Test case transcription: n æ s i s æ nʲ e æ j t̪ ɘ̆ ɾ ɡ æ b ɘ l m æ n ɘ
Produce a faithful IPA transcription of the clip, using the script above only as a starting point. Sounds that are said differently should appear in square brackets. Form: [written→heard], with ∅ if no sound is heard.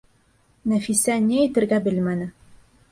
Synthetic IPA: n æ [s→f] i s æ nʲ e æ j t̪ ɘ̆ ɾ ɡ æ b ɘ l m æ n ɘ